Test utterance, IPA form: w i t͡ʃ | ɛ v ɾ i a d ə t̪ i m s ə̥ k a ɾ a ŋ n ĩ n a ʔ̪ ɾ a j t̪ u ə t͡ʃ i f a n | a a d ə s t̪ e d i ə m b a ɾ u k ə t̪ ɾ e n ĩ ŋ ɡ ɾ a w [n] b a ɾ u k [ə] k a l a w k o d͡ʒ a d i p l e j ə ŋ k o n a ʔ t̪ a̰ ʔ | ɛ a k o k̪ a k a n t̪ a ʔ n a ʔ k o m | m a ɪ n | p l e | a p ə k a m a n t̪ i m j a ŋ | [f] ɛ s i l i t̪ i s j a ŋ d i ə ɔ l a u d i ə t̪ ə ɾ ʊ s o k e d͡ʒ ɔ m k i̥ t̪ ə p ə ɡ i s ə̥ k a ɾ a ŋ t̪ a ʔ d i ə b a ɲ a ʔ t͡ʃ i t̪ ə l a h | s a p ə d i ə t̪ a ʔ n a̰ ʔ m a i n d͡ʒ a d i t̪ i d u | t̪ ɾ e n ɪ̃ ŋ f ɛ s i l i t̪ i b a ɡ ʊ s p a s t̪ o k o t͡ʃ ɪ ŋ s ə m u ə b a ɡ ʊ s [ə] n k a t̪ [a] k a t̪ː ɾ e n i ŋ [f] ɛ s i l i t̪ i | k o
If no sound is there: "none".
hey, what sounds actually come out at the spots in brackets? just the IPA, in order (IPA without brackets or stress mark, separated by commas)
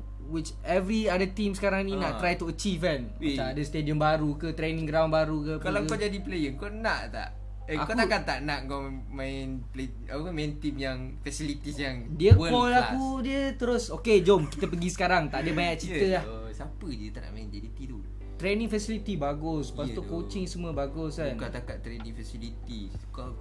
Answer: n, ə, f, a, a, f